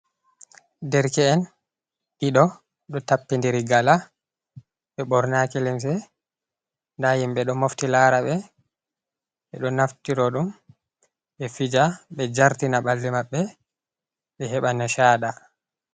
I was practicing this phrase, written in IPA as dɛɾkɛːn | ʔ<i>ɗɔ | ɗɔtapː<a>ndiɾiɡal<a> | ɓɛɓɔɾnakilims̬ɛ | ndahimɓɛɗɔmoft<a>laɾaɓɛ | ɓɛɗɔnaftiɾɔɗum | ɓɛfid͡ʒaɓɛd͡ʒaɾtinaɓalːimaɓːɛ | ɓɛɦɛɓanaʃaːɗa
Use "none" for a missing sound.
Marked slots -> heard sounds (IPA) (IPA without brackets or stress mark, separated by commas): i, i, a, i